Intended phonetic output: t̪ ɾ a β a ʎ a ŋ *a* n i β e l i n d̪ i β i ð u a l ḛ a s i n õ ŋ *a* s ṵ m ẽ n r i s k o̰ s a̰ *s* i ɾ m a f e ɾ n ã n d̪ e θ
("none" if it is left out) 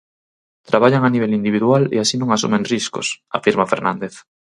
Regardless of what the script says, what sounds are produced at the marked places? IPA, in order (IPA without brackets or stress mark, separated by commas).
a, a, f